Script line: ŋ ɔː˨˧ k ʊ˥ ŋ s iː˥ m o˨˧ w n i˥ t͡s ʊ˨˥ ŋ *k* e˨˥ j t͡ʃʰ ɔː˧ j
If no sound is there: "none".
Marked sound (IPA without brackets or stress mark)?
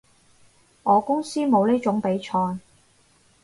p